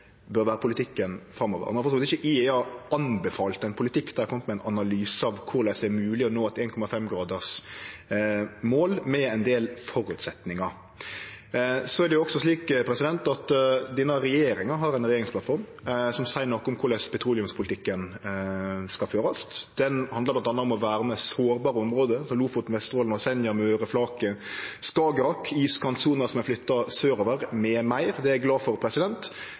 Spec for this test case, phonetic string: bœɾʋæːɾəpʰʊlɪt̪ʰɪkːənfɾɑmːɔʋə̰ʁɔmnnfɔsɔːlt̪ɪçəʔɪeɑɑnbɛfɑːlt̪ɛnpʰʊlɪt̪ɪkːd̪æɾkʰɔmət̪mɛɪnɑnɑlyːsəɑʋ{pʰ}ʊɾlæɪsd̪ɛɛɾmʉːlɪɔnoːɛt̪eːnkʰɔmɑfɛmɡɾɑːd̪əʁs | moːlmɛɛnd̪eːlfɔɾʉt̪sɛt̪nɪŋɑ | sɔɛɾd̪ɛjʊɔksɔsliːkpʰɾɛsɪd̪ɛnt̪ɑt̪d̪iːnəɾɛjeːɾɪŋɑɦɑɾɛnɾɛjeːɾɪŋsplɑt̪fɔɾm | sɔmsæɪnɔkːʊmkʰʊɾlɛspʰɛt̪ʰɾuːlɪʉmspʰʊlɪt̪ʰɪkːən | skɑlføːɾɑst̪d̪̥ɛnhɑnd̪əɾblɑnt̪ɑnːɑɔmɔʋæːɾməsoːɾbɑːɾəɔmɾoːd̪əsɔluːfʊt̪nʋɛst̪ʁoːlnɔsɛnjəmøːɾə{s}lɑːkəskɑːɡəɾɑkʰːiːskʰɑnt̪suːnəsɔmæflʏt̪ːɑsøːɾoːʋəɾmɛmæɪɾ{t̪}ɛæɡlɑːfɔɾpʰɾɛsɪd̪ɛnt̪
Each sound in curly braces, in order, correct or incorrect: incorrect, incorrect, incorrect

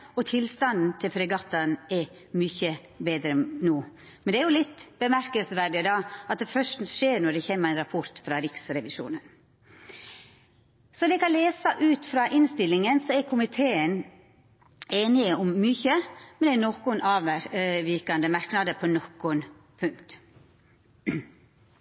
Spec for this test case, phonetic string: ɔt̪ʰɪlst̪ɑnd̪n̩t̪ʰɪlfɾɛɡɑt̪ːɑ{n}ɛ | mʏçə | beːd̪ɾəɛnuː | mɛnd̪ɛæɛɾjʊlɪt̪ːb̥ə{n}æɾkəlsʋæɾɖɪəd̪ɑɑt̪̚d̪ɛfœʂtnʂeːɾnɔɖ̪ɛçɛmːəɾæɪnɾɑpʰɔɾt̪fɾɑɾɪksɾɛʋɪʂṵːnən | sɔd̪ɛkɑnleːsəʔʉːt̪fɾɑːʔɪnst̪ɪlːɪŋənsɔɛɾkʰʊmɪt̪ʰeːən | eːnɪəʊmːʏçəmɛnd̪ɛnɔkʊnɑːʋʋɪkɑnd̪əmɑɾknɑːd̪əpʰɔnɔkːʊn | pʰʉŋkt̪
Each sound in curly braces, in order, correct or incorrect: correct, incorrect

